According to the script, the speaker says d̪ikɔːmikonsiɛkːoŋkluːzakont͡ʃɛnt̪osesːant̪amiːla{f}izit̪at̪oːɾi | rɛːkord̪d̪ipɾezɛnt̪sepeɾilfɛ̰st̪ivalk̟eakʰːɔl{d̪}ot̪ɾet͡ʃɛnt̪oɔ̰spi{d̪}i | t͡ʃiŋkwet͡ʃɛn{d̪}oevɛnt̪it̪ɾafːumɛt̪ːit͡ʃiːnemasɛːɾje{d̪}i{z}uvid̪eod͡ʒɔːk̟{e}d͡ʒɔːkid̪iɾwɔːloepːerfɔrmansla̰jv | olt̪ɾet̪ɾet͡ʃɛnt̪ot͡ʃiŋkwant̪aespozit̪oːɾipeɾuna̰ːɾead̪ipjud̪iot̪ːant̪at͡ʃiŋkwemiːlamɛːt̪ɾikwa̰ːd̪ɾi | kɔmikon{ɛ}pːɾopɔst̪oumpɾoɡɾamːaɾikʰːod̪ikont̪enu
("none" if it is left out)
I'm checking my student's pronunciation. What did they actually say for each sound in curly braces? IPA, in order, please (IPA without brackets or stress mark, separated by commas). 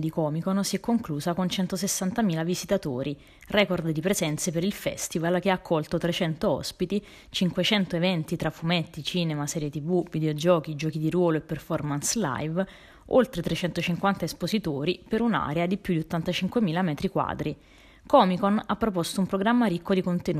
v, t̪, t̪, t̪, t̪, v, i, a